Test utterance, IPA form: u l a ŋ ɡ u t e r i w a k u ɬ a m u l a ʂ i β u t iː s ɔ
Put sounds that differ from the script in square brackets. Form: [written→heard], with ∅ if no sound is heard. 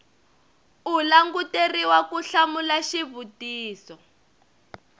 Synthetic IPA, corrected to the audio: u l a ŋ ɡ u t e r i w a k u ɬ a m u l a [ʂ→ʃ] i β u t iː s ɔ